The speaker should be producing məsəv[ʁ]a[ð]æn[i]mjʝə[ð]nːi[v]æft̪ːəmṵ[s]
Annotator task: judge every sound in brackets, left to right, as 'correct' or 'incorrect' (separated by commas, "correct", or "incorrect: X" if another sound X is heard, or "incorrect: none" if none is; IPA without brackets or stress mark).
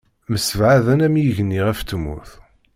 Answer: incorrect: ʕ, correct, incorrect: æ, incorrect: none, incorrect: ʁ, incorrect: θ